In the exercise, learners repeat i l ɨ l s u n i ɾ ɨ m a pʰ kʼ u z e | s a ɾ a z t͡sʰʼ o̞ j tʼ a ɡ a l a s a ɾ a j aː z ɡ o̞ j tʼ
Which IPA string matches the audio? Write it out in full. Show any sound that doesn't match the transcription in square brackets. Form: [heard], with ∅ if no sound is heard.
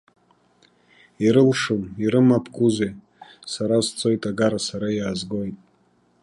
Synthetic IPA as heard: i [ɾ] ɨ l [ʂ] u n i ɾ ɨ m a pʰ kʼ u z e | s a ɾ a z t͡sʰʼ o̞ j tʼ a ɡ a [ɾ] a s a ɾ a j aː z ɡ o̞ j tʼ